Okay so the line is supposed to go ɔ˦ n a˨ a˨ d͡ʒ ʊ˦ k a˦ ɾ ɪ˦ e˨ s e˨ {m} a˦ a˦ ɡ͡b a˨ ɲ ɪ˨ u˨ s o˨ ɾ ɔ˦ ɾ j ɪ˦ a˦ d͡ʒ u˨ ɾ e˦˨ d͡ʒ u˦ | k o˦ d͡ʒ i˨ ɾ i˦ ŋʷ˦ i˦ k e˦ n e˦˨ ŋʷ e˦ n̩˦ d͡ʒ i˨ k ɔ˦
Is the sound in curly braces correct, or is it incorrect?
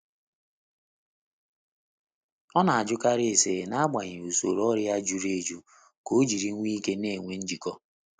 incorrect